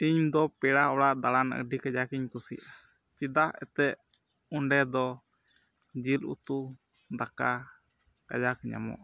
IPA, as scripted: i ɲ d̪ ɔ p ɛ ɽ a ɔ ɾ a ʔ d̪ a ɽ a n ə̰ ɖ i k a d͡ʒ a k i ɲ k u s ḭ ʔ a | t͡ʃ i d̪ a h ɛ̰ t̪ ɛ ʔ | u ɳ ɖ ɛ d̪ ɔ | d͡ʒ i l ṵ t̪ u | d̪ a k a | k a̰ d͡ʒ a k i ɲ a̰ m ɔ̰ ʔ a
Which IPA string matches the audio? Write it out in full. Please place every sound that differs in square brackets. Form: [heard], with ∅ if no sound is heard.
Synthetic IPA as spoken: i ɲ d̪ ɔ p ɛ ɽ a ɔ [ɽ] a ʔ d̪ a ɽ a n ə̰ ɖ i k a d͡ʒ a k i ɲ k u s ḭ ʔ a | t͡ʃ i d̪ a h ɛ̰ t̪ ɛ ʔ | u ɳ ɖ ɛ d̪ ɔ | d͡ʒ i l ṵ t̪ u | d̪ a k a | k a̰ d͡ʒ a k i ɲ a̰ m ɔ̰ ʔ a